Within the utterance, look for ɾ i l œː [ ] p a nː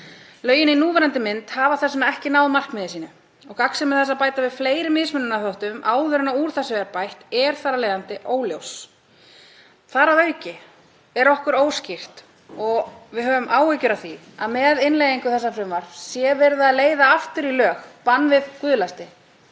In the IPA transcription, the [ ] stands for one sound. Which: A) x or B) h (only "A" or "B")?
A